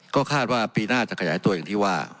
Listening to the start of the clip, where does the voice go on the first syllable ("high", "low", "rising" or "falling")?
falling